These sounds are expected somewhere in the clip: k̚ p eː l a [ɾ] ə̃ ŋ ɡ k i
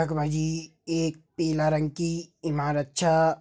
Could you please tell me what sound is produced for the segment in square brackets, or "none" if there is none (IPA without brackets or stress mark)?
ɾ